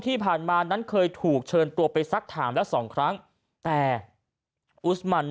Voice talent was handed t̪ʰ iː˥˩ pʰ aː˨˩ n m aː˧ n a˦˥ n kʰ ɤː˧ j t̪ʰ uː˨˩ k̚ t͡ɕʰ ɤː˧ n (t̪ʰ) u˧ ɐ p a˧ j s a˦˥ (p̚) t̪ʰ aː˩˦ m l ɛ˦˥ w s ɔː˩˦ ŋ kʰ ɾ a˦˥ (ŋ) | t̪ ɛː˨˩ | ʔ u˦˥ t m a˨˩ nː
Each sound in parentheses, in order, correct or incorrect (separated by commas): incorrect, incorrect, correct